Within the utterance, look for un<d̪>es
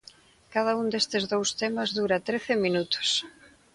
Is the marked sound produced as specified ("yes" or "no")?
yes